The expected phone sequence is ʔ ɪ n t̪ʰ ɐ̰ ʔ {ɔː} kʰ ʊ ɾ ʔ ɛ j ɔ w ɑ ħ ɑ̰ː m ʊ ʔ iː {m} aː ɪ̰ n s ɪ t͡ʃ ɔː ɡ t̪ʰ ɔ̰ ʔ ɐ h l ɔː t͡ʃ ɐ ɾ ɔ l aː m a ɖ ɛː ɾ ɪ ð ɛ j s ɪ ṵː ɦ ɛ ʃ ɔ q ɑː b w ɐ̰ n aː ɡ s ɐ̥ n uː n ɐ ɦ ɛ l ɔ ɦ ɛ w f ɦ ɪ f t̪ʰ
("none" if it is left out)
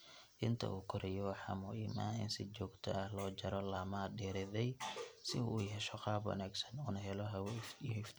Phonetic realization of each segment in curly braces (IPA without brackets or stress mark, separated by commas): uː, m